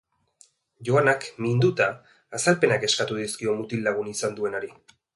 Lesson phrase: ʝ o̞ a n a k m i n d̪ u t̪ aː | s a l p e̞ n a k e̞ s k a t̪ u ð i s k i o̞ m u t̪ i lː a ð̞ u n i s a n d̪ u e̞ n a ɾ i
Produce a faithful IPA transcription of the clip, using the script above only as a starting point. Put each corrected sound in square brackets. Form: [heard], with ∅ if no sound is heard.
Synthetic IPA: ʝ o̞ a n a k m i n d̪ u t̪ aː | s a l p e̞ n a k e̞ s k a t̪ u ð i s k i o̞ m u t̪ i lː a [ɣ̞] u n i s a n d̪ u e̞ n a ɾ i